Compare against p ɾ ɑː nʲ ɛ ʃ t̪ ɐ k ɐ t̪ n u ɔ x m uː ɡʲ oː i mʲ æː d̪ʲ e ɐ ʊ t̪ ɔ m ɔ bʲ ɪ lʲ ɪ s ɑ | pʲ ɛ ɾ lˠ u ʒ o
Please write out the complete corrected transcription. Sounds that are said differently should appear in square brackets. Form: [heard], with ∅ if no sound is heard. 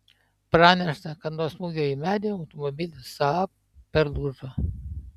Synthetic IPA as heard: p ɾ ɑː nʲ ɛ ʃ t̪ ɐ k ɐ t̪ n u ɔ [s] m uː ɡʲ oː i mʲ æː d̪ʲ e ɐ ʊ t̪ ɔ m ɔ bʲ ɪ lʲ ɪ s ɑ | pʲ ɛ ɾ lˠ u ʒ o